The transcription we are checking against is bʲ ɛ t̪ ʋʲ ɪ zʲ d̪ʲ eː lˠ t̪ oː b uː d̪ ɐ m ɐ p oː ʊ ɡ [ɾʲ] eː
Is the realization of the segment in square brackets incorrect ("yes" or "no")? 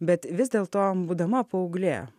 yes